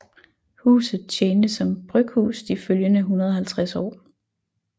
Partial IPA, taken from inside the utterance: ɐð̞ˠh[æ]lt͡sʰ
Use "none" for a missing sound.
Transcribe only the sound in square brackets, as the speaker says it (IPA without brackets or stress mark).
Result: æ